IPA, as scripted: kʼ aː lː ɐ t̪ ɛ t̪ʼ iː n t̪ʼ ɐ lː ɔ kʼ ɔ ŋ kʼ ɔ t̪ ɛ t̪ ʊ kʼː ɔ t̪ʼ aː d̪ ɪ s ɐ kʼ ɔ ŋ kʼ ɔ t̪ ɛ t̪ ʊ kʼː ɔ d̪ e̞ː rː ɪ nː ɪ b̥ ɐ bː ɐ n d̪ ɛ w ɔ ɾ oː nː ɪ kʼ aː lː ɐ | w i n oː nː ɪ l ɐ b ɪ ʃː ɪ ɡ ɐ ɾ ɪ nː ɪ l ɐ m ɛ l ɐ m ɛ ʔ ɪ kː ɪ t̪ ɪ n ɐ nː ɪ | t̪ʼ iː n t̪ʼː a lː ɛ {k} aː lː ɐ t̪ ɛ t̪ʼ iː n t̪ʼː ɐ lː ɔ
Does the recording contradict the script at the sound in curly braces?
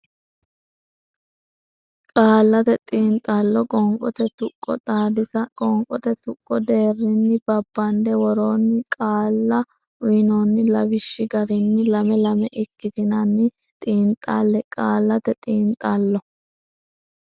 yes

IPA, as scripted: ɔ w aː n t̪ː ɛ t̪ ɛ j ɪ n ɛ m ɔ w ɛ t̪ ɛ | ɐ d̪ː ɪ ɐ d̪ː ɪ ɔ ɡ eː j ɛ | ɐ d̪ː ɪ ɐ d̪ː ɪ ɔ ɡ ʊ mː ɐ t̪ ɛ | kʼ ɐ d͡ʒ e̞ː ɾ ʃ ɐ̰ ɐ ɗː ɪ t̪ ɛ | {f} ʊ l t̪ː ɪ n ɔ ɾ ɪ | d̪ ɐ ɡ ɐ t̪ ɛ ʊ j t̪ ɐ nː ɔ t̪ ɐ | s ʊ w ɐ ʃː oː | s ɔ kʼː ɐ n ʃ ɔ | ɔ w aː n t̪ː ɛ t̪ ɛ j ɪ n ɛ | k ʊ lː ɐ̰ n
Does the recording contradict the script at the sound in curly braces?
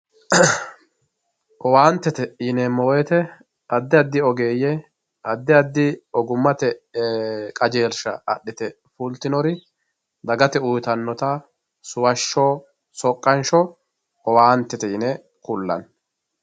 no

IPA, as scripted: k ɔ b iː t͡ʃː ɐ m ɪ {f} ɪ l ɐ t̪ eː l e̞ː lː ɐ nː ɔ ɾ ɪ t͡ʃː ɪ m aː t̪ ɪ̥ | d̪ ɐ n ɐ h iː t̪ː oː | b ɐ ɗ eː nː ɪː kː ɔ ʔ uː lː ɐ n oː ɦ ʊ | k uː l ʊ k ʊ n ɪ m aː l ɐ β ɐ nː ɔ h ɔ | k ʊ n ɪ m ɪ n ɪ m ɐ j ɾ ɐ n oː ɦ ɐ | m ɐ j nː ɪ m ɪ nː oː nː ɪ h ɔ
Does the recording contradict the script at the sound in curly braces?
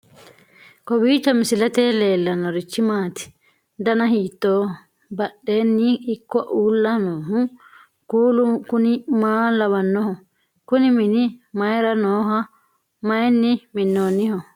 yes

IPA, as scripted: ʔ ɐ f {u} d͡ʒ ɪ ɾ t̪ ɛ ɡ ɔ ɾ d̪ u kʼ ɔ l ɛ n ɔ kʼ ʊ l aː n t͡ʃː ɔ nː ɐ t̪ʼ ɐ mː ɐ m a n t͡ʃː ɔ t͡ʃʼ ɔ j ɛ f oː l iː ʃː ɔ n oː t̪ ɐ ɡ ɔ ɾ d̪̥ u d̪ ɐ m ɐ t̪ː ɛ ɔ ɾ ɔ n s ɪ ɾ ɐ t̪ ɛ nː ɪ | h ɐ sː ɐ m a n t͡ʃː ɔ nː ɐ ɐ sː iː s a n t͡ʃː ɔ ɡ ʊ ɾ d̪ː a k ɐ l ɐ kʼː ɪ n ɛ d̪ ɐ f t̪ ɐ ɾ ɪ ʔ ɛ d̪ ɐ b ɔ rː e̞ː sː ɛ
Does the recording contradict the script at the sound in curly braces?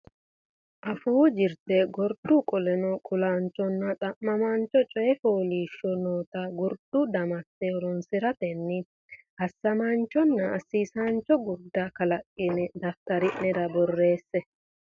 yes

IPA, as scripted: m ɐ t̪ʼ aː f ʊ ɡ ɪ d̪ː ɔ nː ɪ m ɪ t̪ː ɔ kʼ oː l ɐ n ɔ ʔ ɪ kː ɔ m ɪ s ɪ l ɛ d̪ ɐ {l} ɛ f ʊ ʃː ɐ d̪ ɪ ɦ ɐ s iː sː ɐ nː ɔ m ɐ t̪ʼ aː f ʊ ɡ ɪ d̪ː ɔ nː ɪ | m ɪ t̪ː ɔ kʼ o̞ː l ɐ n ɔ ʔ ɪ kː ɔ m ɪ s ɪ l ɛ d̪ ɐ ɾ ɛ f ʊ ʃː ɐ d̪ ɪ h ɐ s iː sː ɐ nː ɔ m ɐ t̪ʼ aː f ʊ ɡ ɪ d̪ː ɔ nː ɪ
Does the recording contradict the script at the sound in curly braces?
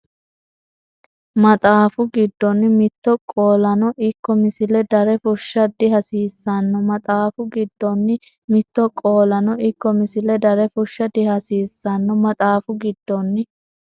yes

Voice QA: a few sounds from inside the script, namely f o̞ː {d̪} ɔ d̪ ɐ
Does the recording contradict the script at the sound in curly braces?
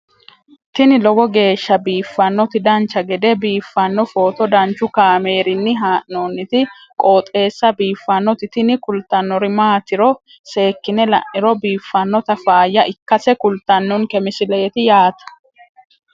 yes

